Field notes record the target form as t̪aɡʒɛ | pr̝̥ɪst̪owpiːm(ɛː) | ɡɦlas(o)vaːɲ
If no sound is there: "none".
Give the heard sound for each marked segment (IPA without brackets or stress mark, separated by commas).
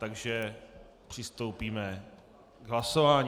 ɛ, o